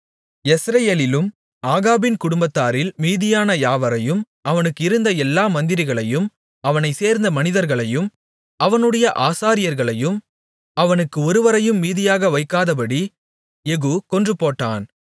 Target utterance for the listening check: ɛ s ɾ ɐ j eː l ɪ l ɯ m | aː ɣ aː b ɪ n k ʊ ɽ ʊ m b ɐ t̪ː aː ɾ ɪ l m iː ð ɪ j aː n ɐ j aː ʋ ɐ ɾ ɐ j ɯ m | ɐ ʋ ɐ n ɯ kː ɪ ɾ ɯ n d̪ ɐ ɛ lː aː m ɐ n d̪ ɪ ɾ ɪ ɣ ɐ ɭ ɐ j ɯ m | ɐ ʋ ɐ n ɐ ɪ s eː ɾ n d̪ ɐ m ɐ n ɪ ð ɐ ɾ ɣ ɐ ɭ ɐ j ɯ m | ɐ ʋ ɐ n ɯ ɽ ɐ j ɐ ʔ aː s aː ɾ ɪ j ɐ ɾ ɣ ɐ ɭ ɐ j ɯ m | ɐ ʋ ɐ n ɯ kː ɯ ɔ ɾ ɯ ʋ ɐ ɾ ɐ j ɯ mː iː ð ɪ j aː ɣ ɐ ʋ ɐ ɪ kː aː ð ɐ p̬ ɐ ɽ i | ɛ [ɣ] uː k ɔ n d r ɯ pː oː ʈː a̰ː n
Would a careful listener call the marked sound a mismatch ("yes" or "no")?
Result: no